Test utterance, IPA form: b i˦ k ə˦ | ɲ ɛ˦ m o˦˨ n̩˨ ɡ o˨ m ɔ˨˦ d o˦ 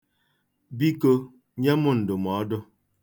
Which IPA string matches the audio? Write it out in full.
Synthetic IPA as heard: b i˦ k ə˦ | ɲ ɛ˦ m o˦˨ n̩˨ d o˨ m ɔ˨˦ d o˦

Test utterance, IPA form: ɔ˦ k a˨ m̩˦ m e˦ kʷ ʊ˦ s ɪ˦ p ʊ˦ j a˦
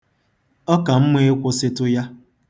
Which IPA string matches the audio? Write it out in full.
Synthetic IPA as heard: ɔ˦ k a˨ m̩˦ m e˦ kʷ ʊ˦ s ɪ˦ t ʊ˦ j a˦

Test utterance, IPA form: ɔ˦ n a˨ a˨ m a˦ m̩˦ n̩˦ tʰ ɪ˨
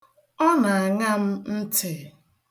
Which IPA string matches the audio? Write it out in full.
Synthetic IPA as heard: ɔ˦ n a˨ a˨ ŋ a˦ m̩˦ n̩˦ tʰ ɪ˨

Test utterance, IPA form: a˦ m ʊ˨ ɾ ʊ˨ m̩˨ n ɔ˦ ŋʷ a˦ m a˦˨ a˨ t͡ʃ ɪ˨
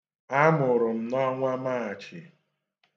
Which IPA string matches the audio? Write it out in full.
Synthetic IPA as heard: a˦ m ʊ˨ ɾ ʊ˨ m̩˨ n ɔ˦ ŋʷ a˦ m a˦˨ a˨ t͡ʃ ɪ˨

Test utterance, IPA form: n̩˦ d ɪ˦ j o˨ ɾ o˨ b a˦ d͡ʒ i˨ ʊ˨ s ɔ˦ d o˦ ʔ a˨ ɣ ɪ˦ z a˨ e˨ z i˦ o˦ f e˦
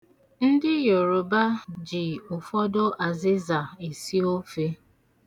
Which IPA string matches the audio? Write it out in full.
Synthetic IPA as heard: n̩˦ d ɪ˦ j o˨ ɾ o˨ b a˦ d͡ʒ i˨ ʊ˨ f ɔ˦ d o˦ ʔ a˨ z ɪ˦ z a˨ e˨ s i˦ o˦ f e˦

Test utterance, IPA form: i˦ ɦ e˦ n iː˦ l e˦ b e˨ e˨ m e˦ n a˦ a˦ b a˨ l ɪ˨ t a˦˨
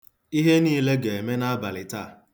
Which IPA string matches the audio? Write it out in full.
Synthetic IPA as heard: i˦ ɦ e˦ n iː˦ l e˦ ɡ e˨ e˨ m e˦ n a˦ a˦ b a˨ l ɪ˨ t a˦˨

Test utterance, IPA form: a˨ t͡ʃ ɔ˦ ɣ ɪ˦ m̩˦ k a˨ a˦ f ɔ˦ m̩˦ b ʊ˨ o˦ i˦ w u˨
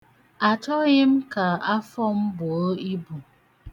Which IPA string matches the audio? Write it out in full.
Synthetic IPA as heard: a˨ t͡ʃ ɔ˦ ɣ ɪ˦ m̩˦ k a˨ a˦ f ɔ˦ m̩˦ b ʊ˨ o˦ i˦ b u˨

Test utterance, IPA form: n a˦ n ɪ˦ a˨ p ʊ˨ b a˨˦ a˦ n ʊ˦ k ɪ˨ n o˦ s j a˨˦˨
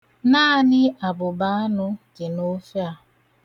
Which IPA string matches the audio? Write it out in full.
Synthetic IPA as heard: n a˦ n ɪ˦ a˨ b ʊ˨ b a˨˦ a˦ n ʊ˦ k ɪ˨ n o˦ f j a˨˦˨

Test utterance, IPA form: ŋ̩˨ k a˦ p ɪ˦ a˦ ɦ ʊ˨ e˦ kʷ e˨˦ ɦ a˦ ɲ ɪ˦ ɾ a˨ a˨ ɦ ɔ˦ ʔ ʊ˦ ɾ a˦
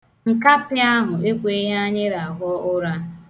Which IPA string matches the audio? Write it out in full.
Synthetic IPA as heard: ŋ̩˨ k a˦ p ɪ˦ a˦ ɦ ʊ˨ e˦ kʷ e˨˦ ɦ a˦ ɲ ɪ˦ ɾ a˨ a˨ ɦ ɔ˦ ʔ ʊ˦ ɾ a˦

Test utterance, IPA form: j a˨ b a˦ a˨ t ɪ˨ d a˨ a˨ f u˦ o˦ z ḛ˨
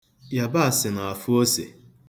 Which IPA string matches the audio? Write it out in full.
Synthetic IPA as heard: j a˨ b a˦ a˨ s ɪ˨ n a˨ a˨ f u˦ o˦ s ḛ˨

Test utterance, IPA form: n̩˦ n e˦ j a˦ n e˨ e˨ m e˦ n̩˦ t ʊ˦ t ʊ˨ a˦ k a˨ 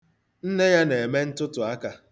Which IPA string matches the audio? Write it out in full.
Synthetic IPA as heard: n̩˦ n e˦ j a˦ n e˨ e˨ m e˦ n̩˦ t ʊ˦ t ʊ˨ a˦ k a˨

